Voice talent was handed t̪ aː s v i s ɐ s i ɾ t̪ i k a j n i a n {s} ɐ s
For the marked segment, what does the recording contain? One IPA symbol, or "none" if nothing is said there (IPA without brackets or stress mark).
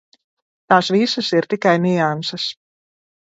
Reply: s